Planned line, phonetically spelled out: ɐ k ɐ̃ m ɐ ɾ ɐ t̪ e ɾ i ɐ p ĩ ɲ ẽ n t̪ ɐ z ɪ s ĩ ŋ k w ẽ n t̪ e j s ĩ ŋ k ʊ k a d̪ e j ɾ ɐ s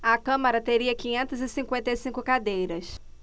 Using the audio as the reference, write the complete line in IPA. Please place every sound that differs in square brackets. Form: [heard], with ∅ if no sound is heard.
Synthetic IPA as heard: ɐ k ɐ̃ m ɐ ɾ ɐ t̪ e ɾ i ɐ [k] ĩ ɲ ẽ n t̪ ɐ z ɪ s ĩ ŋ k w ẽ n t̪ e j s ĩ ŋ k ʊ k a d̪ e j ɾ ɐ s